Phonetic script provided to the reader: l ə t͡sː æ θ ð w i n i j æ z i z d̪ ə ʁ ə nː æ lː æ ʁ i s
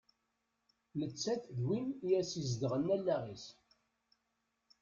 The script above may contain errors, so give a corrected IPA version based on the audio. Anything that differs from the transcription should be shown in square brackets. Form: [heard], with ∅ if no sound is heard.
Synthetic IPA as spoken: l ə t͡sː æ θ ð w i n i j æ [s] i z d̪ ə ʁ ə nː æ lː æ ʁ i s